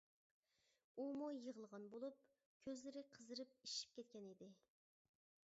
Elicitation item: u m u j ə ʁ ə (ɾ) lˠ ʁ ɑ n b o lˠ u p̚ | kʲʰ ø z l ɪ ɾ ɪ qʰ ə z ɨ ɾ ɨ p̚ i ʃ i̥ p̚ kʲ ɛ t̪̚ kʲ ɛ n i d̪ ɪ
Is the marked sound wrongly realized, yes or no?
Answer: yes